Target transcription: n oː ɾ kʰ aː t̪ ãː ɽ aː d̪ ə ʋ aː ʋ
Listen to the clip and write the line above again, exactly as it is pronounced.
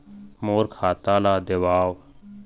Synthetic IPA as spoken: m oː ɾ kʰ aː t̪ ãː l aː d̪ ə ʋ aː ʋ